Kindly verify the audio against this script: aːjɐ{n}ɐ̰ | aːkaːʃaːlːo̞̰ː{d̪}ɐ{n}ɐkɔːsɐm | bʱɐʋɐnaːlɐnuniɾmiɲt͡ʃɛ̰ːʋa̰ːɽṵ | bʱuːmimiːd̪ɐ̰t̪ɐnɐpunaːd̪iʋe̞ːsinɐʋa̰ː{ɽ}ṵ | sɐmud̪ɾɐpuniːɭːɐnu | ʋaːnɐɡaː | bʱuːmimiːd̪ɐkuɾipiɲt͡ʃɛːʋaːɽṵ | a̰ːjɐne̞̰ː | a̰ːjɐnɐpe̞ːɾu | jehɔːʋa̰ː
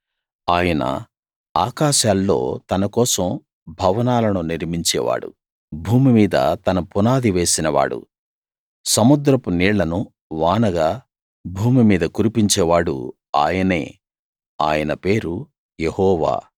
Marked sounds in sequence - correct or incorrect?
correct, incorrect: t̪, correct, correct

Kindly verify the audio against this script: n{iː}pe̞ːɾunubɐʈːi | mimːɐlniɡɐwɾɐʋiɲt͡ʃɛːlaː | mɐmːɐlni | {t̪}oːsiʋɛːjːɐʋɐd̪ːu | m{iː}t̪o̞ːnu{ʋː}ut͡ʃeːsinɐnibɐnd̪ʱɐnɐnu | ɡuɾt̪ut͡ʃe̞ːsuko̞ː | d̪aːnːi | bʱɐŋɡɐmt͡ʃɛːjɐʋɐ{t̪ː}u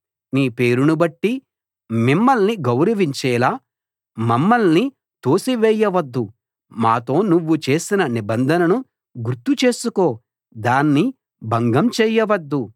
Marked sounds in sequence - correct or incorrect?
correct, correct, incorrect: aː, correct, incorrect: d̪ː

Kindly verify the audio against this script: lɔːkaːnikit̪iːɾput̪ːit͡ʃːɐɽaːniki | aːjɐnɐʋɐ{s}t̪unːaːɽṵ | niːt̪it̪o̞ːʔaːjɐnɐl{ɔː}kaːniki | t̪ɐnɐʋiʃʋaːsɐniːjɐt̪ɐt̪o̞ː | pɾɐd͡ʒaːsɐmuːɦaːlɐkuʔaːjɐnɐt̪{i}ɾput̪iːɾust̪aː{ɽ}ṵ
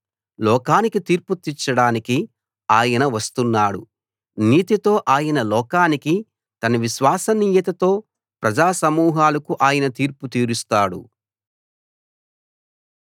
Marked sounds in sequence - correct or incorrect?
correct, correct, incorrect: iː, correct

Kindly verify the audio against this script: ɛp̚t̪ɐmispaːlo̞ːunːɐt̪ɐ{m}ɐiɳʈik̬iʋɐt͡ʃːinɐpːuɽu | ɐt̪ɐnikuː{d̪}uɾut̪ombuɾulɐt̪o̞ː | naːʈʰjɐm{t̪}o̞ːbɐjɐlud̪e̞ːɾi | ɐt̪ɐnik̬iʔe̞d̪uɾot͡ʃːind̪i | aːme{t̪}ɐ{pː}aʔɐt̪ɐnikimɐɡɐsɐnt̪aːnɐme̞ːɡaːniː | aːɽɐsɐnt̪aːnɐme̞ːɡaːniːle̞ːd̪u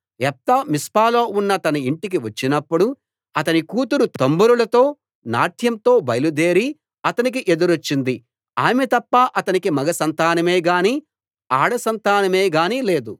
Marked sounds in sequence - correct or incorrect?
incorrect: n, incorrect: t̪, correct, correct, correct

